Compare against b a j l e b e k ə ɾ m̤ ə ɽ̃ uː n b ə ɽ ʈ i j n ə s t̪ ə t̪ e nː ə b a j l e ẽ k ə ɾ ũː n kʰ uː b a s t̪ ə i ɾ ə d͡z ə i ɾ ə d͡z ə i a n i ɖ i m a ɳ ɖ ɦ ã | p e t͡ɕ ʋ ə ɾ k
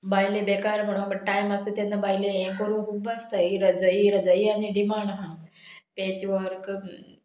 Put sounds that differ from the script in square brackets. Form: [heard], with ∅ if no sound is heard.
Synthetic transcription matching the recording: b a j l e b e k [a] ɾ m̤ ə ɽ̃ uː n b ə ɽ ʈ [a] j [m] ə s t̪ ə t̪ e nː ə b a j l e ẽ k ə ɾ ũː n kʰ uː b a s t̪ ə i ɾ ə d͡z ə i ɾ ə d͡z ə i a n i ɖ i m a ɳ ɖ ɦ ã | p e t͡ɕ ʋ ə ɾ k